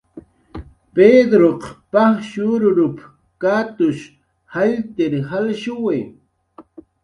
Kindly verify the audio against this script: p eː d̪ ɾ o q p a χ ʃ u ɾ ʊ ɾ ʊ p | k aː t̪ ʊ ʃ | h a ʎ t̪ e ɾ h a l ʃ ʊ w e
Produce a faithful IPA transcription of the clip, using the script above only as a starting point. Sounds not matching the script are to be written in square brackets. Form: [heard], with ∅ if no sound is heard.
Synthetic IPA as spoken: p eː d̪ ɾ o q p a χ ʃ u ɾ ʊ ɾ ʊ p | k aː t̪ ʊ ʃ | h a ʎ t̪ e ɾ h a l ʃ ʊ w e